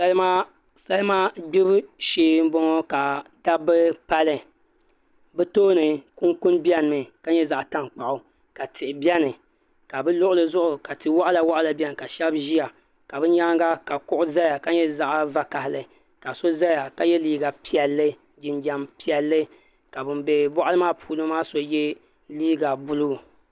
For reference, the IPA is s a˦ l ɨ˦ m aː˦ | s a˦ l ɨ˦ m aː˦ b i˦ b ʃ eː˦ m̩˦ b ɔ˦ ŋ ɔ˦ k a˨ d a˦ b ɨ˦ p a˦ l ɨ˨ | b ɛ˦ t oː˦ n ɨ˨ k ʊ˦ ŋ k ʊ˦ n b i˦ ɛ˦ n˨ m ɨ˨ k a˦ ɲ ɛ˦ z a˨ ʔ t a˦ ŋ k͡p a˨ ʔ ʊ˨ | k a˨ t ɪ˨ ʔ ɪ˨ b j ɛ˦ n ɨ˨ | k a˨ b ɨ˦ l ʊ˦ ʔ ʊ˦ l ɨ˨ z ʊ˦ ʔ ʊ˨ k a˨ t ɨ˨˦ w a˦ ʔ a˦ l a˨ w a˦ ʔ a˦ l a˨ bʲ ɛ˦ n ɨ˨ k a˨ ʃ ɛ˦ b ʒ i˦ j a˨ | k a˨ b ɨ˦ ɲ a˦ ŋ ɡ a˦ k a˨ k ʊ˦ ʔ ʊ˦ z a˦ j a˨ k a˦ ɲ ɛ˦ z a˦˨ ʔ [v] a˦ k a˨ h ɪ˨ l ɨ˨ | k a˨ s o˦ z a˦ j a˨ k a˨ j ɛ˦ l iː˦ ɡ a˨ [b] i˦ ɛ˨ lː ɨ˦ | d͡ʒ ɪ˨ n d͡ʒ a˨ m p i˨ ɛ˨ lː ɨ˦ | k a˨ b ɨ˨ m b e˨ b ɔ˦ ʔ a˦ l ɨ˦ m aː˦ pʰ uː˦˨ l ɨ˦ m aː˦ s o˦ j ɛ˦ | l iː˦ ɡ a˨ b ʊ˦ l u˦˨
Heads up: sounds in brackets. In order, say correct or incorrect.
correct, incorrect: p

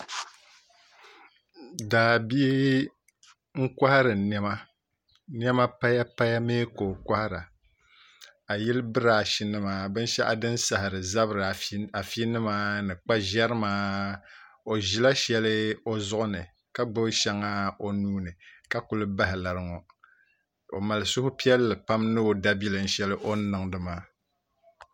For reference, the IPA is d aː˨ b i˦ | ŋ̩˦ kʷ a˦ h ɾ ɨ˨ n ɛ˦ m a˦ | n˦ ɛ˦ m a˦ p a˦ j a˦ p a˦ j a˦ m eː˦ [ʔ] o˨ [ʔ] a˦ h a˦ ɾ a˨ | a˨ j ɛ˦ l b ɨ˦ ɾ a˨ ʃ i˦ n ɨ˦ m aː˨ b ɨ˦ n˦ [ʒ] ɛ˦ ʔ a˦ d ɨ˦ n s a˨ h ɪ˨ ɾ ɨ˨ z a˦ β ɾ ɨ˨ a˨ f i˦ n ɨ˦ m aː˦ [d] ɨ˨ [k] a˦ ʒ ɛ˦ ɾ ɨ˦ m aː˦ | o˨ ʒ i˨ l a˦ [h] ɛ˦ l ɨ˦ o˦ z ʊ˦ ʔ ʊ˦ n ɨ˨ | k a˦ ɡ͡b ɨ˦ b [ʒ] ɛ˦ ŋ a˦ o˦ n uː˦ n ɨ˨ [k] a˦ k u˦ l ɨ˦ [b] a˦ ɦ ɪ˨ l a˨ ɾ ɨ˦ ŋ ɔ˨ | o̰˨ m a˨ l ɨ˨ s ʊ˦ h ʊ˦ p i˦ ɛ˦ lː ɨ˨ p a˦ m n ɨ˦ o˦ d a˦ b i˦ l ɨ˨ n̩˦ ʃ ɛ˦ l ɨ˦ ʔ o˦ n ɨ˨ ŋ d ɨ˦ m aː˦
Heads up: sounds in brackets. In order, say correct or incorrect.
incorrect: k, incorrect: k, incorrect: ʃ, incorrect: n, incorrect: k͡p, incorrect: ʃ, incorrect: ʃ, correct, correct

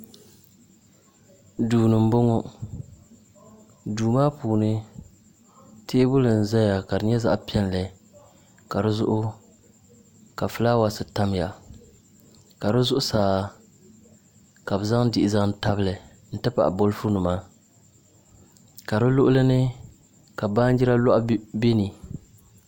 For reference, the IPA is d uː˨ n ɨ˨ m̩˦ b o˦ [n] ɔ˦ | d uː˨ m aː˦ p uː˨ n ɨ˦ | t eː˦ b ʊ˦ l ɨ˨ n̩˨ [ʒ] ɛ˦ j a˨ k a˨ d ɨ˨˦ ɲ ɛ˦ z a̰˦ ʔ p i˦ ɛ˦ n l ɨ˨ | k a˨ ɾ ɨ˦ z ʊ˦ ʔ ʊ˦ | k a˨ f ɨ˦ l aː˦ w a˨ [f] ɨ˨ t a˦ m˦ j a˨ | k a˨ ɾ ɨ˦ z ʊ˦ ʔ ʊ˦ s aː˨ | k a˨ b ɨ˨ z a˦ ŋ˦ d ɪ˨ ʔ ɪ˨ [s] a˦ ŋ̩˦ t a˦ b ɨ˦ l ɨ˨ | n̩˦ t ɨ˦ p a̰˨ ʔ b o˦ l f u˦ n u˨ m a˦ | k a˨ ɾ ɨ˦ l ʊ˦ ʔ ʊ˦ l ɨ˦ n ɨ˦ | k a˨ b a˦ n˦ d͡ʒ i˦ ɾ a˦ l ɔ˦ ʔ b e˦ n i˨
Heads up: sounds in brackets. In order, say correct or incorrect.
incorrect: ŋ, incorrect: z, incorrect: s, incorrect: z

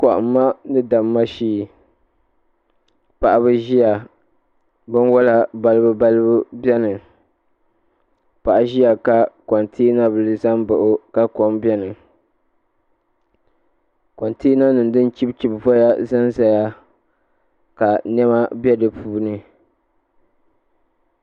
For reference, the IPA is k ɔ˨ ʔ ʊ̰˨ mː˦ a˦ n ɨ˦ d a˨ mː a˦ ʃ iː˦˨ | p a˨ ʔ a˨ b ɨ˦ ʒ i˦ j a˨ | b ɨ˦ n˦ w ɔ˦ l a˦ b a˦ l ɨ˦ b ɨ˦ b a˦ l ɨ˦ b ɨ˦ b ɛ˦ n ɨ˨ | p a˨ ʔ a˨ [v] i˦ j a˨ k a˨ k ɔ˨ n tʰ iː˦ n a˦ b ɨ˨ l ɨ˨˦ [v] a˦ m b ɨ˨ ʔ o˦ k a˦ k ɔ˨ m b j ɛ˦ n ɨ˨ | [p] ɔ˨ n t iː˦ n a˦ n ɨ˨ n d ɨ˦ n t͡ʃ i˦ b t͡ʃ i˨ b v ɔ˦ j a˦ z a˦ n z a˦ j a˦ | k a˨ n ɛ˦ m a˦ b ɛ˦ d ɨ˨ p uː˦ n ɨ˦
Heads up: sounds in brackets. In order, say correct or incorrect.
incorrect: ʒ, incorrect: z, incorrect: k

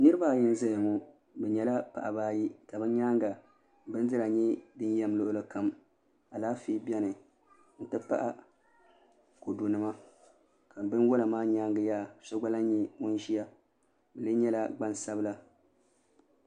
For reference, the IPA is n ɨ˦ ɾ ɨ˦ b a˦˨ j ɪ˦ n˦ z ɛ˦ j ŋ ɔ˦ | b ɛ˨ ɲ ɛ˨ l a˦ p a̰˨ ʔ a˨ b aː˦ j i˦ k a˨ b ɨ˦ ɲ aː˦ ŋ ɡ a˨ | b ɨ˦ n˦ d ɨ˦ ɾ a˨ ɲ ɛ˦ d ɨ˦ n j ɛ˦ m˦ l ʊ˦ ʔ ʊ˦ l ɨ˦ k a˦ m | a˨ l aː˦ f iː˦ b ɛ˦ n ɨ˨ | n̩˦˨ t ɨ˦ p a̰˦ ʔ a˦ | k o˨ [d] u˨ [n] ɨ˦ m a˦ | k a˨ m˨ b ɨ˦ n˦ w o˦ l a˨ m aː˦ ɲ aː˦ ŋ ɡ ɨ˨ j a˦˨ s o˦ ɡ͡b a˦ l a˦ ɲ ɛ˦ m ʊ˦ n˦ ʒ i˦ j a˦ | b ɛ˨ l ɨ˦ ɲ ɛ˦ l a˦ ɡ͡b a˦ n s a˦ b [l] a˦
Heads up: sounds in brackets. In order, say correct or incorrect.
correct, correct, correct

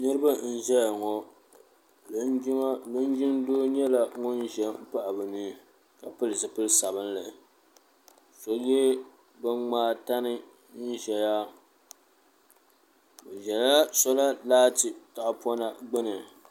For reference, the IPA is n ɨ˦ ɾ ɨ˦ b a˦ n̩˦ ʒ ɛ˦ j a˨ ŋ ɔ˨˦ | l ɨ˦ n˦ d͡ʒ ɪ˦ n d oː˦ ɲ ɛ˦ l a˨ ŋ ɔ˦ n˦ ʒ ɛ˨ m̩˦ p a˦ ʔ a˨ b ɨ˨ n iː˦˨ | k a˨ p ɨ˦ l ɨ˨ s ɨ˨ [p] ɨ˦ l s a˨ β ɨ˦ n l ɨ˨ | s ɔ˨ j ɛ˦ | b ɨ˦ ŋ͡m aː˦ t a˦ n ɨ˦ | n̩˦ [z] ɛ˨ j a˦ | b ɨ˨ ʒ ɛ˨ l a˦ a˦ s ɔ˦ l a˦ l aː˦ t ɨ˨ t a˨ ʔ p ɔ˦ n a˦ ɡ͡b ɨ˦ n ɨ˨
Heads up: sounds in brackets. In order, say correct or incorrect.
correct, incorrect: ʒ

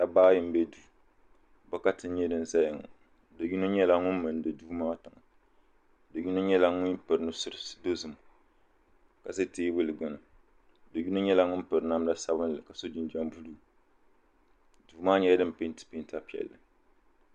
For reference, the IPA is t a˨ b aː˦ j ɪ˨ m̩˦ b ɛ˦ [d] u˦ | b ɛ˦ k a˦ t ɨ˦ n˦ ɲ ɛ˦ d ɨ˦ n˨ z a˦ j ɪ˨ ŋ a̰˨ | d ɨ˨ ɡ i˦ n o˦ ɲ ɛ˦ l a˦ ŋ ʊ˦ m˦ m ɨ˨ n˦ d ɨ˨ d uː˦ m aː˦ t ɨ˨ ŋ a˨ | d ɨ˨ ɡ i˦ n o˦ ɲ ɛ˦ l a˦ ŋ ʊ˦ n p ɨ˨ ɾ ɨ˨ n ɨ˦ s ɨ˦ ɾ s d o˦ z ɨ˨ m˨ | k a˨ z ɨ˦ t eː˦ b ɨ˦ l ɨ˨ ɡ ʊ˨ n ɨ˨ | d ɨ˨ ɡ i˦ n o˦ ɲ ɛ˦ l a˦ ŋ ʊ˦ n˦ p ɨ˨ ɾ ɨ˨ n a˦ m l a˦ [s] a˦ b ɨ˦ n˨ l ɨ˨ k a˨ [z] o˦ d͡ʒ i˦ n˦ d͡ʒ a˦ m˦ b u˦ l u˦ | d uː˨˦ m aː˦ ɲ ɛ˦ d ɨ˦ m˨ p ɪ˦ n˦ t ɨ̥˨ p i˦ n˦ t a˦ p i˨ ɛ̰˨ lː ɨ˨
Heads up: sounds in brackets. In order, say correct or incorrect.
correct, correct, incorrect: s

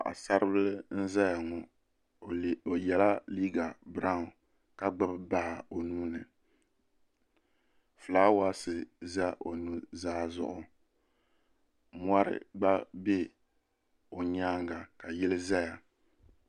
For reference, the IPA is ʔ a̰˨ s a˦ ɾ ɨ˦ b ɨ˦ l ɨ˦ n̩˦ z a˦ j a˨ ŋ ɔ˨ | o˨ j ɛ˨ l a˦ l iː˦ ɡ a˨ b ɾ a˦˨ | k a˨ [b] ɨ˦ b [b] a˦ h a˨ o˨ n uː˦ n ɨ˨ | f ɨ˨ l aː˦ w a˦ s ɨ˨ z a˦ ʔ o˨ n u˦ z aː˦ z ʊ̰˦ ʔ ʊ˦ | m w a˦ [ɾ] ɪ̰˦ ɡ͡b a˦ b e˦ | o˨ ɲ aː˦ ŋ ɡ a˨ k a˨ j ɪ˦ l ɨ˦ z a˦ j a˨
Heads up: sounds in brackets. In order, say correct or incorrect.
incorrect: ɡ͡b, correct, correct

